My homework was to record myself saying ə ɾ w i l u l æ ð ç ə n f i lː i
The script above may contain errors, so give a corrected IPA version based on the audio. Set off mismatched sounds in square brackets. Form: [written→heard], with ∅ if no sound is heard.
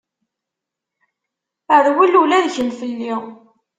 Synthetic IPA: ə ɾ w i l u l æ ð ç ə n f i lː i